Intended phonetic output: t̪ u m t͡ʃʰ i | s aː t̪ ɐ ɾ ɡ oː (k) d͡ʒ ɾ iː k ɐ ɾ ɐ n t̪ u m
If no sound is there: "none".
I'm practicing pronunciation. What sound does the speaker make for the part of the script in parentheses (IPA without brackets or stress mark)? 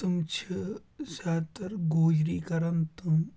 none